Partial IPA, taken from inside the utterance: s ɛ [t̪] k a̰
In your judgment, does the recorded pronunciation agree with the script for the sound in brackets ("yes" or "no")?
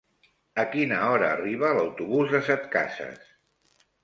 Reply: yes